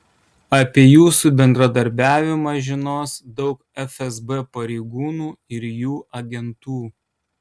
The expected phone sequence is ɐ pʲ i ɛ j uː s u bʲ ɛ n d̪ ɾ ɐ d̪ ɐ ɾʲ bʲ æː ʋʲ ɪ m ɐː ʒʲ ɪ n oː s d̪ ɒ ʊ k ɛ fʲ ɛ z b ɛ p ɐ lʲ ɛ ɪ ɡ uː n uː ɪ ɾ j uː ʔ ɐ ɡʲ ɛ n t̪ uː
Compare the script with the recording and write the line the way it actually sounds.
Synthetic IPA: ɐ pʲ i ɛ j uː s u bʲ ɛ n d̪ ɾ ɐ d̪ ɐ ɾʲ bʲ æː ʋʲ ɪ m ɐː ʒʲ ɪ n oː s d̪ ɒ ʊ k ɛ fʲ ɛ z b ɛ p ɐ ɾʲ ɛ ɪ ɡ uː n uː ɪ ɾ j uː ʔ ɐ ɡʲ ɛ n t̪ uː